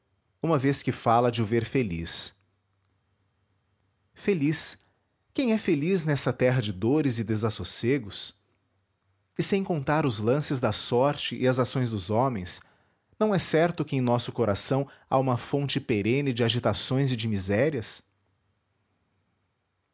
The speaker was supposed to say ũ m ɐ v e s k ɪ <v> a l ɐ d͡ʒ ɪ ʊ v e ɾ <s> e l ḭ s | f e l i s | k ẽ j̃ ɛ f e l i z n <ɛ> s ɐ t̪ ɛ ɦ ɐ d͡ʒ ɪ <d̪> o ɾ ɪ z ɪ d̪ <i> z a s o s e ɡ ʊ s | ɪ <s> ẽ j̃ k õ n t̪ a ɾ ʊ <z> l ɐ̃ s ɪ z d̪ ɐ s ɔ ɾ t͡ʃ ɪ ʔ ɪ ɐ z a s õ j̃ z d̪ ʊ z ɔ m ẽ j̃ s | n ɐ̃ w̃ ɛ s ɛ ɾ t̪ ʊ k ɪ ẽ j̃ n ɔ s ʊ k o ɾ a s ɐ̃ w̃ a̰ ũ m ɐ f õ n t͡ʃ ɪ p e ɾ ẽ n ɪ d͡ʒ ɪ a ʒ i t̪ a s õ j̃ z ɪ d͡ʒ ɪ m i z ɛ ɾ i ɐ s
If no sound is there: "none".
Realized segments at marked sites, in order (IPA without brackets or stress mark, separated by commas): f, f, ɛ, d̪, e, s, z